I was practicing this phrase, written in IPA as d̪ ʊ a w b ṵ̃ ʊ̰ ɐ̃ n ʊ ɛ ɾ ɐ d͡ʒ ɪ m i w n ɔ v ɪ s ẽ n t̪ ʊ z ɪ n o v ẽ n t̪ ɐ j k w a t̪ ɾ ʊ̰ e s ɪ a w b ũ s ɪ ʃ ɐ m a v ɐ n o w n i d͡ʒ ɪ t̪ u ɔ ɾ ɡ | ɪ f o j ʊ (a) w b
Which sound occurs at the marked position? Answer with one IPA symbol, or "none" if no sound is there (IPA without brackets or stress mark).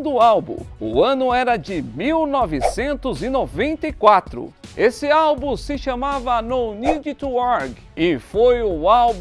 a